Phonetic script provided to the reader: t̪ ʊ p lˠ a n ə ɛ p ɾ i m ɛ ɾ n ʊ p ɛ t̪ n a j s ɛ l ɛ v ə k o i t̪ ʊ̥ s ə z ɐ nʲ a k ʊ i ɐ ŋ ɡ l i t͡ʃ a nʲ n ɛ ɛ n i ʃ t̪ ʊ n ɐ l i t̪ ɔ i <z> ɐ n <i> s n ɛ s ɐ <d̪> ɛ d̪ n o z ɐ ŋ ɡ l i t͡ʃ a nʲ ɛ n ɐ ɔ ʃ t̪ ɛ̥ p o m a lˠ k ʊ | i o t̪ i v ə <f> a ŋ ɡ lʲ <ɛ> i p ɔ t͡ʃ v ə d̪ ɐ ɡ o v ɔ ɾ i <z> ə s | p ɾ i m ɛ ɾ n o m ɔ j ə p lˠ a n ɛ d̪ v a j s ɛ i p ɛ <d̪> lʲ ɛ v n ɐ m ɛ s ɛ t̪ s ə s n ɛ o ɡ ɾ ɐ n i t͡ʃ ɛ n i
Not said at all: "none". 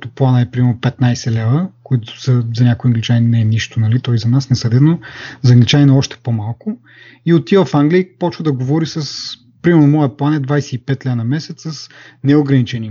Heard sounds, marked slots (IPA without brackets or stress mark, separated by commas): z, a, d̪, f, i, s, t̪